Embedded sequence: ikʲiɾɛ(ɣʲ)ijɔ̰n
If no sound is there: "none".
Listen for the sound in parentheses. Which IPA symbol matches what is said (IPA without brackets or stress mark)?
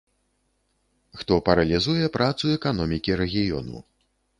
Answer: ɣʲ